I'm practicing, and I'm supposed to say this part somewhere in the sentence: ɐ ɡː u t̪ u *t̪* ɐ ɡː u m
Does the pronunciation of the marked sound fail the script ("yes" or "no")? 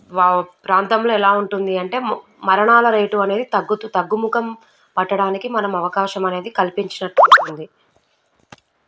no